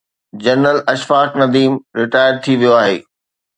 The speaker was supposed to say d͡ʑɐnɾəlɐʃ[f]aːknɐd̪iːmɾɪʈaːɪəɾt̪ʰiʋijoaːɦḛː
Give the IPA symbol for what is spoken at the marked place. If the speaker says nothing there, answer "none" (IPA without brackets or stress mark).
f